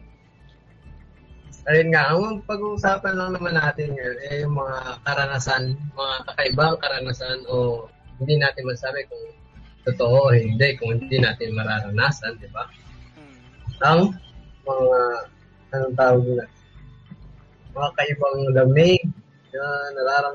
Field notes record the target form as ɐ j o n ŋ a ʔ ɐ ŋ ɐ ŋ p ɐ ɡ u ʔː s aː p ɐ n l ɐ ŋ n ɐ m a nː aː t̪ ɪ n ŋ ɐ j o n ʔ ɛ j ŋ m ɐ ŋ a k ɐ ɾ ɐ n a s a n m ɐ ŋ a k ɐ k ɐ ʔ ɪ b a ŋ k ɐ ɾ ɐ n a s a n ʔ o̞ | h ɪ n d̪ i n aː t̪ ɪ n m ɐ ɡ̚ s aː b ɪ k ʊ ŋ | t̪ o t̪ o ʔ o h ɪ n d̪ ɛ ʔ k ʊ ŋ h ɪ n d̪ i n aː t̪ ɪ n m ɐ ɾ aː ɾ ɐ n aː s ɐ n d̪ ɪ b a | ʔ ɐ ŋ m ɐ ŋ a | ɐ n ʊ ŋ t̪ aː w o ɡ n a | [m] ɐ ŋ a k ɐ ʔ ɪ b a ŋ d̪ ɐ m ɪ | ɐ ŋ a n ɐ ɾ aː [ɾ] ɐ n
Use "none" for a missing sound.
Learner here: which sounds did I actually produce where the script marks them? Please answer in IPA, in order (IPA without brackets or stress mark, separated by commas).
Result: m, ɾ